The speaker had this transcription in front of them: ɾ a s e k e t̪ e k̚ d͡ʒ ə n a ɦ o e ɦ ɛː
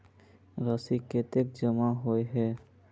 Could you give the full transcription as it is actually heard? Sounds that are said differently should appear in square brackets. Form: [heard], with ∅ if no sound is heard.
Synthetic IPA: ɾ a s [i] k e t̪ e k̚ d͡ʒ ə [m] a ɦ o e ɦ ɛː